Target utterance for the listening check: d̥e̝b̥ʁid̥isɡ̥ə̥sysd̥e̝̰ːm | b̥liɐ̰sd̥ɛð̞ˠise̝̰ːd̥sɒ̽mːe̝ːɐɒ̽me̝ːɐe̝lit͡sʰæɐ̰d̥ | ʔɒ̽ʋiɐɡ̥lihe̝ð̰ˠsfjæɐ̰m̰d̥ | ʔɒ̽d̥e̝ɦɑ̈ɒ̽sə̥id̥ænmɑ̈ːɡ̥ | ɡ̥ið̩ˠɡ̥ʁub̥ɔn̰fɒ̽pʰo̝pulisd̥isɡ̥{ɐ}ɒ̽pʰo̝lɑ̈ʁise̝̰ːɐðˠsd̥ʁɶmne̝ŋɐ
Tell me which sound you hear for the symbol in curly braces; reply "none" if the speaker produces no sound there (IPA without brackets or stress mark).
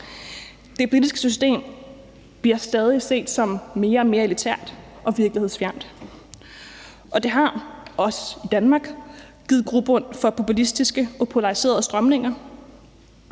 ə